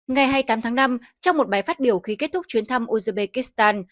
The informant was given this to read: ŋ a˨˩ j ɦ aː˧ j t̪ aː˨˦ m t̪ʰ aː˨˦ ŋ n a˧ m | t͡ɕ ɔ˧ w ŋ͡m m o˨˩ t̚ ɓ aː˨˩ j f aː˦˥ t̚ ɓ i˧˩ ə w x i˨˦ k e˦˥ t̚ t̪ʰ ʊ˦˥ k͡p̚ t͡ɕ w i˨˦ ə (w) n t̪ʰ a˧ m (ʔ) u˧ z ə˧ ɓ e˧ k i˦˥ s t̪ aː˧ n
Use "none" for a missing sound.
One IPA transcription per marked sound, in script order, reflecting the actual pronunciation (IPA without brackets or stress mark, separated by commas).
none, ʔ